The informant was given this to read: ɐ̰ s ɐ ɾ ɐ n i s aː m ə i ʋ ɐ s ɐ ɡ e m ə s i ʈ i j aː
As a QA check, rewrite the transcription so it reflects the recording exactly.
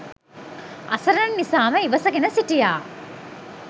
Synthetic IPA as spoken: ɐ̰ s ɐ ɾ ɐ nː i s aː m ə i ʋ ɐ s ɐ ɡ e n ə s i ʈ i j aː

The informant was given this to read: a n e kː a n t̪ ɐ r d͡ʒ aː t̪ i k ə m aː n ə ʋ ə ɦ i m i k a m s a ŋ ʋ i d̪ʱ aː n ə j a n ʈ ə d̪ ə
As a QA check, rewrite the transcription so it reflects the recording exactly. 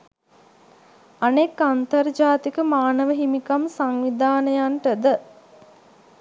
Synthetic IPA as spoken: a n e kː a n t̪ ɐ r d͡ʒ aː t̪ i k ə m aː n ə ʋ ə ɦ i m i k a m s a ŋ ʋ i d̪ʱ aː n ə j a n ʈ ə d̪ ə

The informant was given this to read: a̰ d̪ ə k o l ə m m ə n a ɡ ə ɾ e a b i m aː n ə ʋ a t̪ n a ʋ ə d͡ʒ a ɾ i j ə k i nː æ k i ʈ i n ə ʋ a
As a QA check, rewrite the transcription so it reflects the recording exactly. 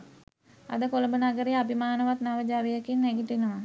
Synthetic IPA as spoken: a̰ d̪ ə k o l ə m b ə n a ɡ ə ɾ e a b i m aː n ə ʋ a t̪ n a ʋ ə d͡ʒ a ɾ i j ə k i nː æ ɡ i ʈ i n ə ʋ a

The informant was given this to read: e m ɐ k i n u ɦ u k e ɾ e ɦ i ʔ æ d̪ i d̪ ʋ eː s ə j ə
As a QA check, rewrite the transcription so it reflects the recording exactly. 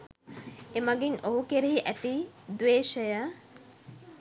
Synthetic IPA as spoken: e m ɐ ɡ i n o ɦ u k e ɾ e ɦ i ʔ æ t̪ i d̪ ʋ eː ʃ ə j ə

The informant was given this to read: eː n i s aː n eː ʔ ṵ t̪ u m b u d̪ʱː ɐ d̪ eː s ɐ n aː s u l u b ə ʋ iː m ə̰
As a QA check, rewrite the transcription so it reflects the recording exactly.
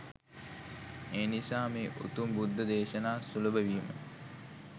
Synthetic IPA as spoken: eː n i s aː m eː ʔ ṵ t̪ u m b u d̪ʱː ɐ d̪ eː ʃ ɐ n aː s u l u b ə ʋ iː m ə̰

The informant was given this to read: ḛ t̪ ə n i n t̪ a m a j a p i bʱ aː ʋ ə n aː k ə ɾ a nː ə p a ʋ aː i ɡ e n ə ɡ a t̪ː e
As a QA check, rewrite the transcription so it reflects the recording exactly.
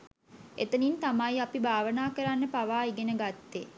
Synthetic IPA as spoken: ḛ t̪ ə n i n t̪ a m a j a p i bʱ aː ʋ ə n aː k ə ɾ a nː ə p a ʋ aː i ɡ e n ə ɡ a t̪ː e

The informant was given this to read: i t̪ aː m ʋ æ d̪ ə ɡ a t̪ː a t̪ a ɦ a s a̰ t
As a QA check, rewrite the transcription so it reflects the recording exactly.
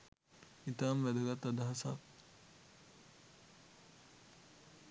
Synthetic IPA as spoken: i t̪ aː m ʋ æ d̪ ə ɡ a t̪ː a d̪ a ɦ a s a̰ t

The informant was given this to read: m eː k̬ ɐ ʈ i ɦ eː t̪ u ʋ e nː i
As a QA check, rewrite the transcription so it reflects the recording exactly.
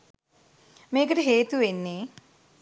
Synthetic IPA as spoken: m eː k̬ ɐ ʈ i ɦ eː t̪ u ʋ e nː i

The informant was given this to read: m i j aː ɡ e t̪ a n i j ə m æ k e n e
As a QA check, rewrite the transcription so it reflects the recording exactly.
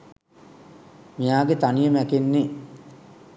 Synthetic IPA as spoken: m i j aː ɡ e t̪ a n i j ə m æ k e nː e

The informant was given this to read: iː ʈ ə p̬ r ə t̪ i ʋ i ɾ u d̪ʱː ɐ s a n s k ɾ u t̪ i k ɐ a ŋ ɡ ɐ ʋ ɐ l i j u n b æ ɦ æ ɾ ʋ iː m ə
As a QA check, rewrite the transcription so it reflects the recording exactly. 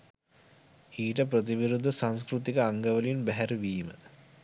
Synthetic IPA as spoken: iː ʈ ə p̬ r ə t̪ i ʋ i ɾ u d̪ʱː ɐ s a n s k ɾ u t̪ i k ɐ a ŋ ɡ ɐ ʋ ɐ l i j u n b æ ɦ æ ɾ ʋ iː m ə

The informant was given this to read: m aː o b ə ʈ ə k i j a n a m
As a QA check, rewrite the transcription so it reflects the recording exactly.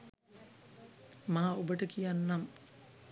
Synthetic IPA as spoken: m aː o b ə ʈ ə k i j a nː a m

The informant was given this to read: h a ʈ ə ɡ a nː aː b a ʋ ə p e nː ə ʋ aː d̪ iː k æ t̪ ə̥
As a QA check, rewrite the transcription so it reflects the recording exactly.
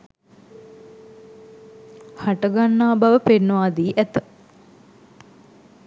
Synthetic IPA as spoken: h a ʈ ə ɡ a nː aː b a ʋ ə p e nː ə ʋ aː d̪ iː ʔ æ t̪ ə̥

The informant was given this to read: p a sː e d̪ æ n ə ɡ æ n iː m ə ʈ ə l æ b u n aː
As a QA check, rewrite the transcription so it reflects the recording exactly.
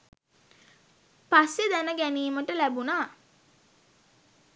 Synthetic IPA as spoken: p a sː e d̪ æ n ə ɡ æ n iː m ə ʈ ə l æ b u n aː

